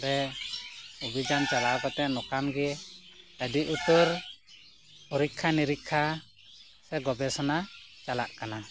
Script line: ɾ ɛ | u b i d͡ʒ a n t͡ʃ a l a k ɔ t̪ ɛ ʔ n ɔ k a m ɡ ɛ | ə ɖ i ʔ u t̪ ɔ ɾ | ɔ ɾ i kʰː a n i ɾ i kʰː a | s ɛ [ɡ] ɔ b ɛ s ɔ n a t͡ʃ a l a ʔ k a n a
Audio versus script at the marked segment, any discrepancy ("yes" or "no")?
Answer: no